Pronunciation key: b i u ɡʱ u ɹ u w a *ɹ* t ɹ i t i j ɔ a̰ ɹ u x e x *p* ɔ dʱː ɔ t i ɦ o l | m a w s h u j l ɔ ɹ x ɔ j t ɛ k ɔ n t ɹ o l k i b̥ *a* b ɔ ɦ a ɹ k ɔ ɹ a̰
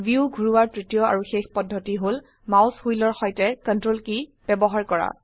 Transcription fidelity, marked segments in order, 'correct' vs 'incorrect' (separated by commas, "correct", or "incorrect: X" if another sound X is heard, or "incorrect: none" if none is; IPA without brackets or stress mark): correct, correct, incorrect: ɛ